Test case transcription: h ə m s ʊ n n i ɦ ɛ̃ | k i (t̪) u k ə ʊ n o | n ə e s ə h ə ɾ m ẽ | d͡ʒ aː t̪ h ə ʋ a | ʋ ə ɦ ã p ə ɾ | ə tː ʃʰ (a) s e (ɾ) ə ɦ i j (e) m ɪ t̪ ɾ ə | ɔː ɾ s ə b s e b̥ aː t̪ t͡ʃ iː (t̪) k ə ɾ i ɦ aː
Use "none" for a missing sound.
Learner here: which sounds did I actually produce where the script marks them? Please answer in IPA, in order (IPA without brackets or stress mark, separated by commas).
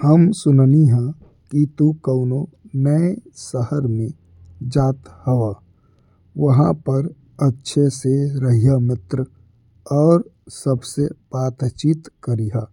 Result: t̪, e, ɾ, a, t̪